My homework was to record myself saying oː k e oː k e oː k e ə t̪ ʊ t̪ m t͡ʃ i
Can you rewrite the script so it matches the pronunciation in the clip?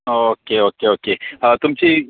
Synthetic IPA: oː k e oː k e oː k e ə t̪ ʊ m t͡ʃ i